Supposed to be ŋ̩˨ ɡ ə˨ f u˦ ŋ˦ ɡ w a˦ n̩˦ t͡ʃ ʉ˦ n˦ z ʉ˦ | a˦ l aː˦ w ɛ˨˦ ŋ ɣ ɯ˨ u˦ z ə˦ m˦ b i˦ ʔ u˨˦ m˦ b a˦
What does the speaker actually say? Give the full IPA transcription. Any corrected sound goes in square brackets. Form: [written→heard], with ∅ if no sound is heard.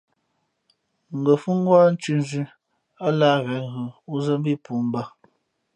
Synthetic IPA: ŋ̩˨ ɡ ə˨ f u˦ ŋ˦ ɡ w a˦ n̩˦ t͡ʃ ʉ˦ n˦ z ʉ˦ | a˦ l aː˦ [w→ɣ] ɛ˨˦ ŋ ɣ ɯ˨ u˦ z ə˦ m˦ b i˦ [ʔ→p] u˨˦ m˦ b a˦